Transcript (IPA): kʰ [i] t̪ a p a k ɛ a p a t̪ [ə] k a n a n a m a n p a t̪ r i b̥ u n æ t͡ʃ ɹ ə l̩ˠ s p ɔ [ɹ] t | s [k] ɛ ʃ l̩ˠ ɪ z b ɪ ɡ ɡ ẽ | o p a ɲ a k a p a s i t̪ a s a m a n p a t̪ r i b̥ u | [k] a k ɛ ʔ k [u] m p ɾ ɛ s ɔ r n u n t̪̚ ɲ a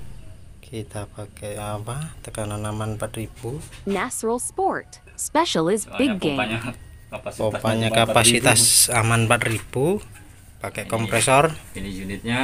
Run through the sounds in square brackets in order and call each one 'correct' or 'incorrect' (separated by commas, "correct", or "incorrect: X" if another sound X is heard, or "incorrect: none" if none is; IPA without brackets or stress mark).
correct, correct, correct, incorrect: p, incorrect: p, incorrect: ɔ